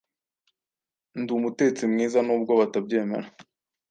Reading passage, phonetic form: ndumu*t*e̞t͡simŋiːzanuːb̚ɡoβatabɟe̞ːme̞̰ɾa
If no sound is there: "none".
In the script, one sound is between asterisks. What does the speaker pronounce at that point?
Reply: t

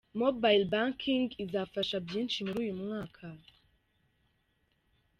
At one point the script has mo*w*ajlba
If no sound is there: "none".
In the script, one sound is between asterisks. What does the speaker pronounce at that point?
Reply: b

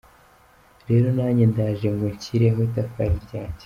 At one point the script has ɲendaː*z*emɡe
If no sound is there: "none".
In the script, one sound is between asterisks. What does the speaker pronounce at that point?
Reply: ʒ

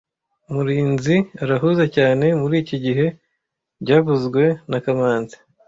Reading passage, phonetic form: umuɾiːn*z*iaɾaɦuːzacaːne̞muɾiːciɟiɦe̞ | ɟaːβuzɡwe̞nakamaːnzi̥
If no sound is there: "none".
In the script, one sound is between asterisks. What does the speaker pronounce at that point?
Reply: z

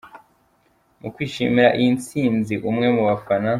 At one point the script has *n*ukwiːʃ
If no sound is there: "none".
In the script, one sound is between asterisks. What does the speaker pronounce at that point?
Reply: m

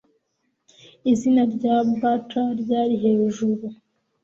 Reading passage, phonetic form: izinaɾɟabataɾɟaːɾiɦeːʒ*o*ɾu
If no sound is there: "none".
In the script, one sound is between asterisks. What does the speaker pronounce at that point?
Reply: u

